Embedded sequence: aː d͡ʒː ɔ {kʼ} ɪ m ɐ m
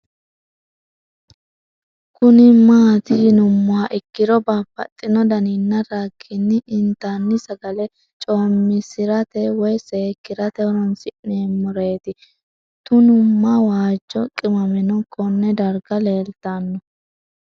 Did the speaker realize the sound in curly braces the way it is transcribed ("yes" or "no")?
yes